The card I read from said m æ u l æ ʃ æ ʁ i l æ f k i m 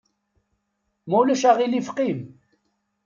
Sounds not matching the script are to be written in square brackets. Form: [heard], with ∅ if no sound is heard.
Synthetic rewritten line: m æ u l æ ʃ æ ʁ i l [i] f [q] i m